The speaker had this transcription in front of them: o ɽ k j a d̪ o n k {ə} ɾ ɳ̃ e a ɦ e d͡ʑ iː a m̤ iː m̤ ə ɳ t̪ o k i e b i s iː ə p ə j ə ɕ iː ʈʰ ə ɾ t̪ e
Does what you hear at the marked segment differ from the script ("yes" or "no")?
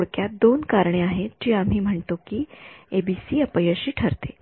yes